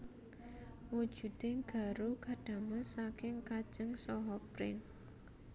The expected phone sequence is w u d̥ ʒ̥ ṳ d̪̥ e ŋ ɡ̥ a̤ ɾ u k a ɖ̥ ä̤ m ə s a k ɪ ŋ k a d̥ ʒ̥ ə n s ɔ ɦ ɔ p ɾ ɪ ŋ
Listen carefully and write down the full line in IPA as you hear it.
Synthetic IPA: w u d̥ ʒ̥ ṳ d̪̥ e ŋ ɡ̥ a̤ ɾ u k a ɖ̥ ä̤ m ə s a k ɪ ŋ k a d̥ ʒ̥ ə ŋ s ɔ ɦ ɔ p ɾ ɪ ŋ